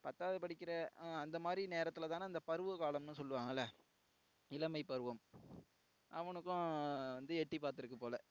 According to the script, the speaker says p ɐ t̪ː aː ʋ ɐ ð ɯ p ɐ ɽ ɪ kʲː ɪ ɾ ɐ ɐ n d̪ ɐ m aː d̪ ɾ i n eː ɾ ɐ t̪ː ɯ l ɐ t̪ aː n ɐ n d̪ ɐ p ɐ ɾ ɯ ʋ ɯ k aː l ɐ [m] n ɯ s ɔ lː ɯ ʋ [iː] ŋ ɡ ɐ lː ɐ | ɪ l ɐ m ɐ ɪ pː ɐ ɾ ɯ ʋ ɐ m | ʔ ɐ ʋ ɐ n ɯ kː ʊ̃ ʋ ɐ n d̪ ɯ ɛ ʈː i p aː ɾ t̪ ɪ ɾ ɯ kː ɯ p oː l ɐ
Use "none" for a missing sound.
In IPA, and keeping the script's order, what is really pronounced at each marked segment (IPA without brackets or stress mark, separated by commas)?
m, aː